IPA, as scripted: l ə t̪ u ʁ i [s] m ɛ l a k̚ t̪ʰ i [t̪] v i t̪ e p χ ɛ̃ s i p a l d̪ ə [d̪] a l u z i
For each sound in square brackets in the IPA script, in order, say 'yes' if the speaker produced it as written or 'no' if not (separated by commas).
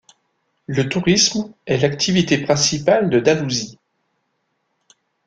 yes, no, yes